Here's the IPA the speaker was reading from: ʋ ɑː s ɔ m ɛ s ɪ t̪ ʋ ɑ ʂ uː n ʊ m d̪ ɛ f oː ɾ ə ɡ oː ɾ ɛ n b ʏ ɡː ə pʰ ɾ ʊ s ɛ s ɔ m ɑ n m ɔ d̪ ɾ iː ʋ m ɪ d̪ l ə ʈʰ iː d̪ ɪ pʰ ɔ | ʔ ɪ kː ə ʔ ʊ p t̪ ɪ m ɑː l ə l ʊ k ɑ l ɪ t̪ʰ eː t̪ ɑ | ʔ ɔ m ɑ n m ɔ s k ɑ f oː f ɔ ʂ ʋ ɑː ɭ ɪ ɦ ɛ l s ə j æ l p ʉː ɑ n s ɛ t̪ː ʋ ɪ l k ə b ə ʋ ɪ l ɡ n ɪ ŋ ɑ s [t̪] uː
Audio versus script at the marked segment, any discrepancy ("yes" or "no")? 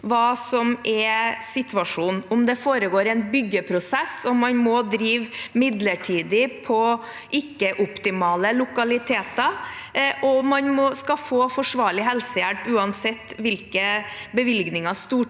no